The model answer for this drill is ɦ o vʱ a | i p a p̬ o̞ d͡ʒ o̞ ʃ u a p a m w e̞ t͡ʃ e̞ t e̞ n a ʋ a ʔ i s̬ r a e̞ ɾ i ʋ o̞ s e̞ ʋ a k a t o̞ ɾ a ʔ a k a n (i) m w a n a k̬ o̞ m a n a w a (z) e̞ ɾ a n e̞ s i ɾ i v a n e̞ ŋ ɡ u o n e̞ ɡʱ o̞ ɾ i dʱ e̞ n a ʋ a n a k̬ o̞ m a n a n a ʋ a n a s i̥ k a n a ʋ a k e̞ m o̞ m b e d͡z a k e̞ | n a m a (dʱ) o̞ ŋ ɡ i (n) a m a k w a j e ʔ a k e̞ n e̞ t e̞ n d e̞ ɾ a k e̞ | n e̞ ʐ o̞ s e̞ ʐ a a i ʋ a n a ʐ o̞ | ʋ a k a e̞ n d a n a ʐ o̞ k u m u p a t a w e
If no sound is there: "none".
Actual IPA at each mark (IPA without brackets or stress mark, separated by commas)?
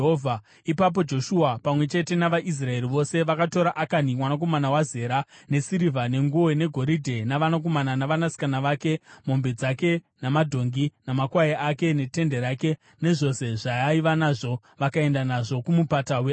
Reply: i, z, dʱ, n